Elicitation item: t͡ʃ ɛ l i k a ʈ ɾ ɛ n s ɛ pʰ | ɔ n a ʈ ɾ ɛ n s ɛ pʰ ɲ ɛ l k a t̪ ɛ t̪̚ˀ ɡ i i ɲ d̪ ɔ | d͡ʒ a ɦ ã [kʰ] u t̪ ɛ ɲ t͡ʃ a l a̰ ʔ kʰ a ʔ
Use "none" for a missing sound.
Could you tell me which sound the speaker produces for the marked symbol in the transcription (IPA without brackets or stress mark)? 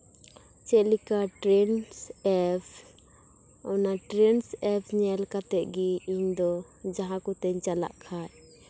k